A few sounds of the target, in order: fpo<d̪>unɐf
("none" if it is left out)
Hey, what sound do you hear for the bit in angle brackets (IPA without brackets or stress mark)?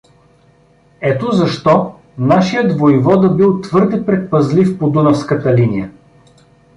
d̪